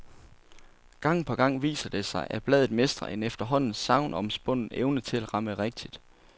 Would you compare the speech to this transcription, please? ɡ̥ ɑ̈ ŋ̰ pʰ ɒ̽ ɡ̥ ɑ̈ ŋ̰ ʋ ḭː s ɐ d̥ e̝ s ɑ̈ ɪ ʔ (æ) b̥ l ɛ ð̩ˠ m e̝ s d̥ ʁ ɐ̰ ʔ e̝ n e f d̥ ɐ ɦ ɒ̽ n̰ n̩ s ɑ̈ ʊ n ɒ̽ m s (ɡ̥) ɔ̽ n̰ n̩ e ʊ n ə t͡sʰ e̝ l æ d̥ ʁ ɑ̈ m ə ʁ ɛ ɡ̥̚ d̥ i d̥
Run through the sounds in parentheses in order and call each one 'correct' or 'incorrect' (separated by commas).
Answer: correct, incorrect